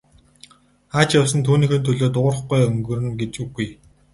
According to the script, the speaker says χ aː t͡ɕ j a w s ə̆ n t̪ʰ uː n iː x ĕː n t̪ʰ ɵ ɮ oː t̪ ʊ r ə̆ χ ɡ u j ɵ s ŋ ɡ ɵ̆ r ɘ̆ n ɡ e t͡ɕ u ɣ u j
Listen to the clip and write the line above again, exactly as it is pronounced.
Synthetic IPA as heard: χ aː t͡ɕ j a w s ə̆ n t̪ʰ uː n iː x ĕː n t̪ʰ ɵ ɮ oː t̪ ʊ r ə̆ χ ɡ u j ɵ ŋ ɡ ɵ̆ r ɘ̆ n ɡ e t͡ɕ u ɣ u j